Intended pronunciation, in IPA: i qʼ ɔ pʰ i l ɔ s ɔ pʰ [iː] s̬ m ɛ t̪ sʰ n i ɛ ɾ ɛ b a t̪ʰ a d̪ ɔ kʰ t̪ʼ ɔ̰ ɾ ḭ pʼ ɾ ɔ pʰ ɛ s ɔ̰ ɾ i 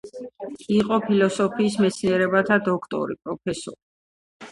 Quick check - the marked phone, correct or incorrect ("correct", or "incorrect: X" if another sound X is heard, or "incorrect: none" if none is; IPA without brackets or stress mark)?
correct